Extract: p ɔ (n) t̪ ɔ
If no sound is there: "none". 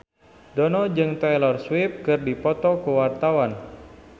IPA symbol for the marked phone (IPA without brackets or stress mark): none